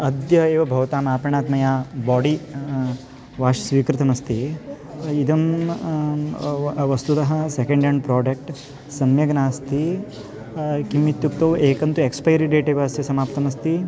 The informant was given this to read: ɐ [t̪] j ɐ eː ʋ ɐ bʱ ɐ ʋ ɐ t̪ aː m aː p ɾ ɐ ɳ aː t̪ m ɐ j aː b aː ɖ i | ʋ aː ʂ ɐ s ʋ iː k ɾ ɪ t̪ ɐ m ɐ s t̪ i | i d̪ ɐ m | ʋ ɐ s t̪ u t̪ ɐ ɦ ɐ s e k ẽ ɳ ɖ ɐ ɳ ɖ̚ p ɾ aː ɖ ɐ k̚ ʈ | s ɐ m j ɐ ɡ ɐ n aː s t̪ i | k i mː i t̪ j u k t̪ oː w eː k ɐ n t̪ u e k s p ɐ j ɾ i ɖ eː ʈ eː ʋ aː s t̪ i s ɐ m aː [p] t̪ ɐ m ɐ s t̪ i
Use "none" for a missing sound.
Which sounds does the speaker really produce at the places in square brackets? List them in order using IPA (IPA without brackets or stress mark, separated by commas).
d̪, p